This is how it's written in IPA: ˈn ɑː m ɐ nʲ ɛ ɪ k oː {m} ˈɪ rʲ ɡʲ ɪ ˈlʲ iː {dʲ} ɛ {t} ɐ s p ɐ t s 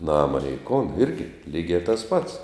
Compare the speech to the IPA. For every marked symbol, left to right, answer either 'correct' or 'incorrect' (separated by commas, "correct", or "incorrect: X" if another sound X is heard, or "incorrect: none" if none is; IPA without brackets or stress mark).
incorrect: n, incorrect: ɡʲ, correct